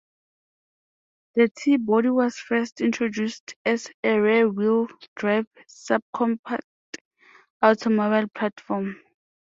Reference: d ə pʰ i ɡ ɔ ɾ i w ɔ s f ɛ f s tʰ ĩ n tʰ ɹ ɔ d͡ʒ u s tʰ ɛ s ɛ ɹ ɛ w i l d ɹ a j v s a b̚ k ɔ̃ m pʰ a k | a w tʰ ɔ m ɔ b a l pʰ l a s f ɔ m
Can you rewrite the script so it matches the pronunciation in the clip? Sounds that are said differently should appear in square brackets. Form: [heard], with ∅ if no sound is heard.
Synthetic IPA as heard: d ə [tʰ] i [b] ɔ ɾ i w ɔ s f ɛ [∅] s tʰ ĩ n tʰ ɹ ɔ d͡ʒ u s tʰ ɛ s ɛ ɹ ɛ w i l d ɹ a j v s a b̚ [kʰ] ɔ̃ m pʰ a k | a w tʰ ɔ m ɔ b a l pʰ l a [t] f ɔ m